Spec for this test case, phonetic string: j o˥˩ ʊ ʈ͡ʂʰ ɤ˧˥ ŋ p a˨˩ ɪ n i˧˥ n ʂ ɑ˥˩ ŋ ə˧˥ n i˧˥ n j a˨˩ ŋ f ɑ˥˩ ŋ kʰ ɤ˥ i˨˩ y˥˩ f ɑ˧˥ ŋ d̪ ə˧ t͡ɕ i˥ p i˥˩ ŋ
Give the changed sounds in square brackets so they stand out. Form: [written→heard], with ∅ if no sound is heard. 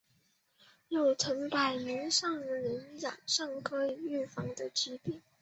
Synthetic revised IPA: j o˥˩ ʊ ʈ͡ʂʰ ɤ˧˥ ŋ p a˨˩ ɪ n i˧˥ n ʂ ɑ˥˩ ŋ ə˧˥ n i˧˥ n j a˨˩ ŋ [f→ʂ] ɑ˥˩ ŋ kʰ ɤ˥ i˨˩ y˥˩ f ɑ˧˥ ŋ d̪ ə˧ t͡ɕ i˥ p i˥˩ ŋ